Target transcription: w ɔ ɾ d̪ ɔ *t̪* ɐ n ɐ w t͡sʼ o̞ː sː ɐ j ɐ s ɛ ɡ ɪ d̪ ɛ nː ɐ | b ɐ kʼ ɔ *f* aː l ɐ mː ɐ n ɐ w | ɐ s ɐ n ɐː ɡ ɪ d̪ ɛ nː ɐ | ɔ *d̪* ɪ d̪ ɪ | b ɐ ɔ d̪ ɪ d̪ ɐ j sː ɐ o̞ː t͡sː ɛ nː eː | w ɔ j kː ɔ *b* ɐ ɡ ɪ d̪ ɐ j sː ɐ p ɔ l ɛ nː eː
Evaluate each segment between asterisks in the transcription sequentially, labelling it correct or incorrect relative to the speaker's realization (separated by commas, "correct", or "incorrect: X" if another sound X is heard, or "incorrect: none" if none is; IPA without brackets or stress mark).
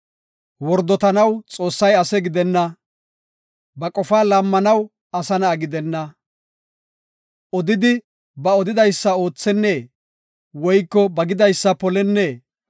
correct, correct, correct, correct